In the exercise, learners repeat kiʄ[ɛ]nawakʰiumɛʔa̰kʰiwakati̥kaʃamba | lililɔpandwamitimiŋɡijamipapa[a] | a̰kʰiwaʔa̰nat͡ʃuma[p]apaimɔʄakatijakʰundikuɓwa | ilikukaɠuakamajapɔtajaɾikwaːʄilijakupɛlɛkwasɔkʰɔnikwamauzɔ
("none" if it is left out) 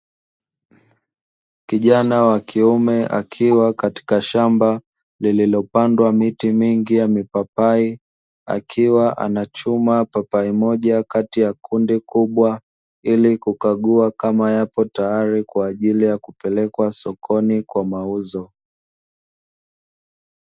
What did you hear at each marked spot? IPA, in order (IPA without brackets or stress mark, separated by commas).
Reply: a, i, p